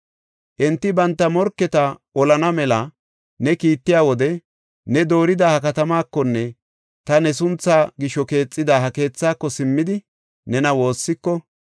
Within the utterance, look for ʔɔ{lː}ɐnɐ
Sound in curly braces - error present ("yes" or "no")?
yes